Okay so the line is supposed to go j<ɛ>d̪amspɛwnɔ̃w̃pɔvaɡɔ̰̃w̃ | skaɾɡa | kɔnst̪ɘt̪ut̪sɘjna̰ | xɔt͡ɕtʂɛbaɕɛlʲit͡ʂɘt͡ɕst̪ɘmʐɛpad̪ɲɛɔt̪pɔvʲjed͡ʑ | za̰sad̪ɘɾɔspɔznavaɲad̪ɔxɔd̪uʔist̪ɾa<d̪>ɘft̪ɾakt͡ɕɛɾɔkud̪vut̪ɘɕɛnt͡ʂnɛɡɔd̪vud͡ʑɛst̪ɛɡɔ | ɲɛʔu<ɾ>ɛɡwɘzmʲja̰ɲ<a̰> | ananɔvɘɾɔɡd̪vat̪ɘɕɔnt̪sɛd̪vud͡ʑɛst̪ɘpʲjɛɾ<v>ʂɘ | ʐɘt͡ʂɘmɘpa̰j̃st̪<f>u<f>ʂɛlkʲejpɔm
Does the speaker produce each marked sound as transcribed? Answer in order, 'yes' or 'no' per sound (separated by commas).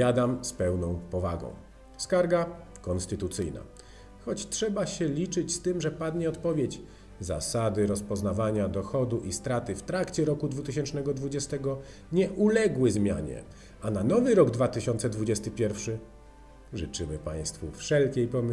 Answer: no, no, no, no, no, yes, yes